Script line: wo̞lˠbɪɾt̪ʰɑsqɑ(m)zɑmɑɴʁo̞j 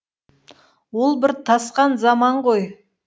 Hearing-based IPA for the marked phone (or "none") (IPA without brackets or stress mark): n